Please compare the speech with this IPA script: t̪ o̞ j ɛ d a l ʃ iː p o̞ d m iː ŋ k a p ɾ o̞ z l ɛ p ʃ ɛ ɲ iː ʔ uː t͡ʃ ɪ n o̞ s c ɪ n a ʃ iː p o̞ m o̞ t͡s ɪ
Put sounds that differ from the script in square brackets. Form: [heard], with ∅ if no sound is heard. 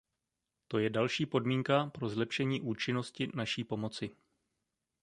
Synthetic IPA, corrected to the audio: t̪ o̞ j ɛ d a l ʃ iː p o̞ d m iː ŋ k a p ɾ o̞ z l ɛ p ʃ ɛ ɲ iː ʔ uː t͡ʃ ɪ n o̞ s c ɪ n a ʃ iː p o̞ m o̞ t͡s ɪ